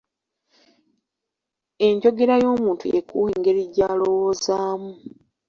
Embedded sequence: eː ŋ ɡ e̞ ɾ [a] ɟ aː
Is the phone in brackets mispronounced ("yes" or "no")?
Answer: yes